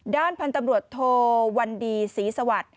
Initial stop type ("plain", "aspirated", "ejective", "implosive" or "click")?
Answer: plain